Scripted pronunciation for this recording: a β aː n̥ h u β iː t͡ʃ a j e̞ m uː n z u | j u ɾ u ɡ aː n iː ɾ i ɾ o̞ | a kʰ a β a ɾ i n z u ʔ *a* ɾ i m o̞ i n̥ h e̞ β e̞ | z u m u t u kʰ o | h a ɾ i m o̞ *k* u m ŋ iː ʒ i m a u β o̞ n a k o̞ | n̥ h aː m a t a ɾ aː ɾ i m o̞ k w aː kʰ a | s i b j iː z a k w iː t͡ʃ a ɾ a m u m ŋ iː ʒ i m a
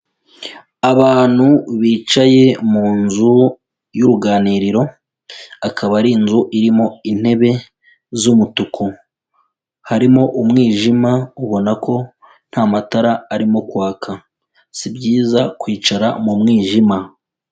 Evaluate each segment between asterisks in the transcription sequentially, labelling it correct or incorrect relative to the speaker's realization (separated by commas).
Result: incorrect, incorrect